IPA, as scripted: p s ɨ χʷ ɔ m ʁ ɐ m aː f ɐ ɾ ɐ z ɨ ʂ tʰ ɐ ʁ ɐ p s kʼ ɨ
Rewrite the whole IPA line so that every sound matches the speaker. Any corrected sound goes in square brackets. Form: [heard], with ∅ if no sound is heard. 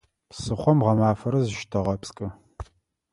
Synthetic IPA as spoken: p s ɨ χʷ ɔ m ʁ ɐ m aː f ɐ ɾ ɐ z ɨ [ʃ] tʰ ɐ ʁ ɐ p s kʼ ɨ